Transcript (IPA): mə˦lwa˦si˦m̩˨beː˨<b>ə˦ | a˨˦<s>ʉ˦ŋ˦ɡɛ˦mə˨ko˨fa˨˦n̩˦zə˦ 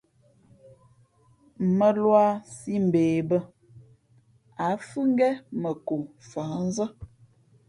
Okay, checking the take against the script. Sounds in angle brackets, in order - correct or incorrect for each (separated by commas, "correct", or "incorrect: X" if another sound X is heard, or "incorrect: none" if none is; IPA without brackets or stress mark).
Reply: correct, incorrect: f